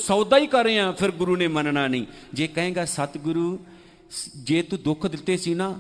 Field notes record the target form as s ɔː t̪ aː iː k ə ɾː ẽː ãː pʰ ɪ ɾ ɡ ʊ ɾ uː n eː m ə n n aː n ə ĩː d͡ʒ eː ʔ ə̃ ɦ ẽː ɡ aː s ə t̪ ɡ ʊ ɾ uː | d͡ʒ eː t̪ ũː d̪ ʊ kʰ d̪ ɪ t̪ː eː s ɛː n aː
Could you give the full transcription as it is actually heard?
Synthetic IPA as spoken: s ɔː d̪ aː iː k ə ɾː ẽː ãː pʰ ɪ ɾ ɡ ʊ ɾ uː n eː m ə n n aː n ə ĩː d͡ʒ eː k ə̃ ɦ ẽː ɡ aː s ə t̪ ɡ ʊ ɾ uː | d͡ʒ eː t̪ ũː d̪ ʊ kʰ d̪ ɪ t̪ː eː s iː n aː